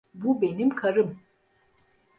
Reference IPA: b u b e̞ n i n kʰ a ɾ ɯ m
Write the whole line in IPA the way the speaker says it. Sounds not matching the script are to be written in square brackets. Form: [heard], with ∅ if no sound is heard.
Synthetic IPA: b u b e̞ n i [m] kʰ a ɾ ɯ m